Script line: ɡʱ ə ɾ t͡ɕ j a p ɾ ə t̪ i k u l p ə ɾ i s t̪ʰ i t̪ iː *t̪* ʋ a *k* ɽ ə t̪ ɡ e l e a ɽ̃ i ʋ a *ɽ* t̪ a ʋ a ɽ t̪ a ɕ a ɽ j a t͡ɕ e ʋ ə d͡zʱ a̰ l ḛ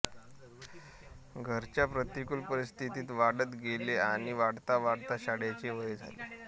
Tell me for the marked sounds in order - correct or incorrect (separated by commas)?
correct, incorrect, correct